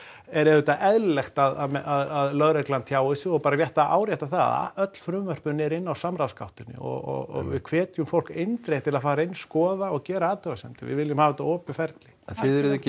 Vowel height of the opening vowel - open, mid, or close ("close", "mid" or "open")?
mid